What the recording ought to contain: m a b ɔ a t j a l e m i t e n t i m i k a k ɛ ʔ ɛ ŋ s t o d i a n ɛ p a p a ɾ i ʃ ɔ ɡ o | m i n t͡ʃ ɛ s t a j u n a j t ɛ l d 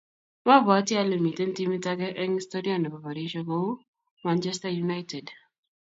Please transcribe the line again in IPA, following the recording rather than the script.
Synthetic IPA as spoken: m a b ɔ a t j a l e m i t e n t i m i t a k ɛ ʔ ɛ ŋ s t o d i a n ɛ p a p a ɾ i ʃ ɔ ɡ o | m a n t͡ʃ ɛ s t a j u n a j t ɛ d